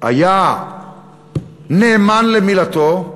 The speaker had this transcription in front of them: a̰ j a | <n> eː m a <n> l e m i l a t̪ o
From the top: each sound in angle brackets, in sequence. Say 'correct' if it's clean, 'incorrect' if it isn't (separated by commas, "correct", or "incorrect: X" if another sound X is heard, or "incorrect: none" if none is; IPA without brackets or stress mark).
correct, correct